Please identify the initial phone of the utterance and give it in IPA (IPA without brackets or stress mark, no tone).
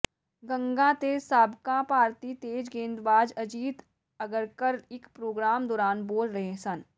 ɡ